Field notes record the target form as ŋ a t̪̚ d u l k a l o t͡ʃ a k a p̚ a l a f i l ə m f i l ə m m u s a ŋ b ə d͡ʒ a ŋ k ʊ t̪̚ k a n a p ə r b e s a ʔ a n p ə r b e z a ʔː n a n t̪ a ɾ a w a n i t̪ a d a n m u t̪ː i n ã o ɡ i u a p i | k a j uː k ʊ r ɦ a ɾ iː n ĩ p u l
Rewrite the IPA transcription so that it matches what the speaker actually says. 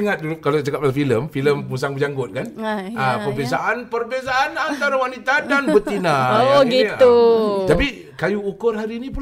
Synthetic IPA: ŋ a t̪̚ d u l k a l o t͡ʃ a k a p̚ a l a f i l ə m f i l ə m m u s a ŋ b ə d͡ʒ a ŋ ɡ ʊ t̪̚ k a n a p ə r b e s a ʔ a n p ə r b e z a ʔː n a n t̪ a ɾ a w a n i t̪ a d a n b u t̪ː i n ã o ɡ i u a p i | k a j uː k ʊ r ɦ a ɾ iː n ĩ p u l